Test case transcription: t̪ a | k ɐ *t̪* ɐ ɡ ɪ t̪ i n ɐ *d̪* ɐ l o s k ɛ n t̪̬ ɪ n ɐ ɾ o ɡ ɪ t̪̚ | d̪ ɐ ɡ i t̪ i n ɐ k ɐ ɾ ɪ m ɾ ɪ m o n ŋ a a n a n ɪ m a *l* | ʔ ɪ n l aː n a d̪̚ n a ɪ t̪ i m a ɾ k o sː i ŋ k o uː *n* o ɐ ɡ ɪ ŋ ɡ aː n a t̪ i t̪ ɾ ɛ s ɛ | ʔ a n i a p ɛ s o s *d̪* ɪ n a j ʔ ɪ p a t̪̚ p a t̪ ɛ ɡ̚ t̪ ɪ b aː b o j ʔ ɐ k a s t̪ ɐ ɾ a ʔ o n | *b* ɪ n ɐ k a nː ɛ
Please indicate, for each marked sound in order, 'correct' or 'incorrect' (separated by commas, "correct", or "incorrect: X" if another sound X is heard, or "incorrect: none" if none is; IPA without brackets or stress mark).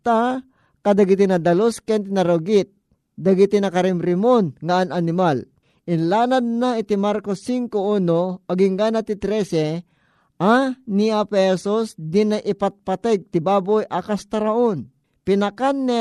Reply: incorrect: d̪, correct, correct, correct, correct, incorrect: p